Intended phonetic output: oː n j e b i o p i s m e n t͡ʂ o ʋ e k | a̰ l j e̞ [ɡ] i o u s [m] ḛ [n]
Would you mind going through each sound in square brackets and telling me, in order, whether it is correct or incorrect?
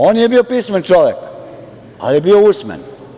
incorrect: b, correct, correct

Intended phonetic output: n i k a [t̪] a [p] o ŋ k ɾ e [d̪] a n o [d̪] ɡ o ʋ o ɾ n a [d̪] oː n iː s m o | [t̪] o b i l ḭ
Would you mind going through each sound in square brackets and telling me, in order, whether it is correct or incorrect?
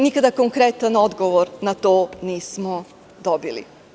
incorrect: d̪, incorrect: k, incorrect: t̪, correct, incorrect: t̪, incorrect: d̪

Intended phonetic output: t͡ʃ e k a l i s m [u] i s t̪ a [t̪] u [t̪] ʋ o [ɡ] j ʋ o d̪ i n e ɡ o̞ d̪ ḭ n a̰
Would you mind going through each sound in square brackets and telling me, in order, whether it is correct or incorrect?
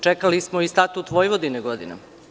incorrect: o, correct, correct, incorrect: none

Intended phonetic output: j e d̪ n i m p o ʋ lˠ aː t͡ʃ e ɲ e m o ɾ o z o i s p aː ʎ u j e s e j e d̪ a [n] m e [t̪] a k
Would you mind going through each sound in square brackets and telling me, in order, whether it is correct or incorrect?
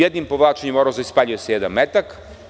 correct, correct

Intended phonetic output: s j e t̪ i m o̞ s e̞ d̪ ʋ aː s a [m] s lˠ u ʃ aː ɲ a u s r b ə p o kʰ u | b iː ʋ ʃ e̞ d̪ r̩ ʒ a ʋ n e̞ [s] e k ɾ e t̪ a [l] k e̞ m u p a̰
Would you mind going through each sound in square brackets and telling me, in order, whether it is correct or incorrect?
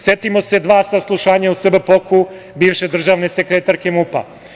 incorrect: none, correct, incorrect: ɾ

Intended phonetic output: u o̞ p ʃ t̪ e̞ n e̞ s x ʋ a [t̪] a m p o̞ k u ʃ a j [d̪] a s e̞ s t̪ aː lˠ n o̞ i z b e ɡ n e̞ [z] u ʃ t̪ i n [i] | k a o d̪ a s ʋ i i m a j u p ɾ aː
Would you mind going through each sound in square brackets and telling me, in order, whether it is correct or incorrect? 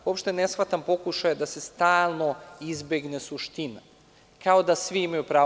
correct, correct, incorrect: s, incorrect: a

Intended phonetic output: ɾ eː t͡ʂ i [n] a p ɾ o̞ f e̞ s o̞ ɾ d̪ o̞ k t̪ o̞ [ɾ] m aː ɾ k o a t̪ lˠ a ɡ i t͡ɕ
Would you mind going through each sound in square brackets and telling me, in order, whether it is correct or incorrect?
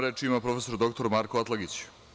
incorrect: m, correct

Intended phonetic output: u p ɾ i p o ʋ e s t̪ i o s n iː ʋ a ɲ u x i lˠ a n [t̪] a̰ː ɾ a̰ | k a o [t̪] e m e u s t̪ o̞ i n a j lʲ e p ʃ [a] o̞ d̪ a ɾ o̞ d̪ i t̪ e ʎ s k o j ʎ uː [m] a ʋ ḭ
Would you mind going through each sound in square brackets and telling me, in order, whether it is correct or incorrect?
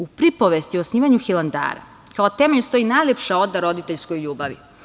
incorrect: d̪, correct, correct, incorrect: b

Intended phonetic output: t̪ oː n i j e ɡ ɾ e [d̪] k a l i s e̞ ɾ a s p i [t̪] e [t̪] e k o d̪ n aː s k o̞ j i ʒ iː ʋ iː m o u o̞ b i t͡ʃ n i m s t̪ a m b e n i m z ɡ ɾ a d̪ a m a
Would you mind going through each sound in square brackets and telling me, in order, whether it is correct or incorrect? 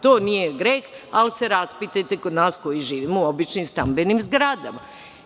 incorrect: none, correct, correct

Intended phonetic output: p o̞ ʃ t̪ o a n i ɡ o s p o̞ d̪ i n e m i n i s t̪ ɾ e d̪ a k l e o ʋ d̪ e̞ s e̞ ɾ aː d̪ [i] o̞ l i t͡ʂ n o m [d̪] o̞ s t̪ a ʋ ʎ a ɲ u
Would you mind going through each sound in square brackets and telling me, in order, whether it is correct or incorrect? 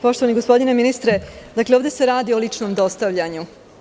correct, correct

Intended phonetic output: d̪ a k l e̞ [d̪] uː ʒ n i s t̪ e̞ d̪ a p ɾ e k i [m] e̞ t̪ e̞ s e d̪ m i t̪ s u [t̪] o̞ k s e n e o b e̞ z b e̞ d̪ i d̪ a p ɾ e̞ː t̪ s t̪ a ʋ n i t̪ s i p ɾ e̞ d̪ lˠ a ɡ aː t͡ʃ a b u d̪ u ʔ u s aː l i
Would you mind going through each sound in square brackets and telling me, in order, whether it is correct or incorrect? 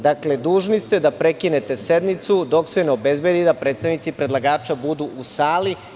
correct, incorrect: n, incorrect: d̪

